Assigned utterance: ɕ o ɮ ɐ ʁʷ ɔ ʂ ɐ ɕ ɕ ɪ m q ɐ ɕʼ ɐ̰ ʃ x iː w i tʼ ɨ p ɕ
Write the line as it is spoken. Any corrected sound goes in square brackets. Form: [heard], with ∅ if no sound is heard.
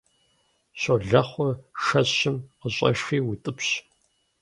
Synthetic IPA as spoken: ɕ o ɮ ɐ [χʷ] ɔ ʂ ɐ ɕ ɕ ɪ m q [ə] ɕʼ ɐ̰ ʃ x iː w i tʼ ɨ p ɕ